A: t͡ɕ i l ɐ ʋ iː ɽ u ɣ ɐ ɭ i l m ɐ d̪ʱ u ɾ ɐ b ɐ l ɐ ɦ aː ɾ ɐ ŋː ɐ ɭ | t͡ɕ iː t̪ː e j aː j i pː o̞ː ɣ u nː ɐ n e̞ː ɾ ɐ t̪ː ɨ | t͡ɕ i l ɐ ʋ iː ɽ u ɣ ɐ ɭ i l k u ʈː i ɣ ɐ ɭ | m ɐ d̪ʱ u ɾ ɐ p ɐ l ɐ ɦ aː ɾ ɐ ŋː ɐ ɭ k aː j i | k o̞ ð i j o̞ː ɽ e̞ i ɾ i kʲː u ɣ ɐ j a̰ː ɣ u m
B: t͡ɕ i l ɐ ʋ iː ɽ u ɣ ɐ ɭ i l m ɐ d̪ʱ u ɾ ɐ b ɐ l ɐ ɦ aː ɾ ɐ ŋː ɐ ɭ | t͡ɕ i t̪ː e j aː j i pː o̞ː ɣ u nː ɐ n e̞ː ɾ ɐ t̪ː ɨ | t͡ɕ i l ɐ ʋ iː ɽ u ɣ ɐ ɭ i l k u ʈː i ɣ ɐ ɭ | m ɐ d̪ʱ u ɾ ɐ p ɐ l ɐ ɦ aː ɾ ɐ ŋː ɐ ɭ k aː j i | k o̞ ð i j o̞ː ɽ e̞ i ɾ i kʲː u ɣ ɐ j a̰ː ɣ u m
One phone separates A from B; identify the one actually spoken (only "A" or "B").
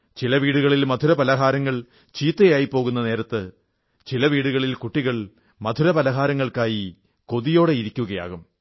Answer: A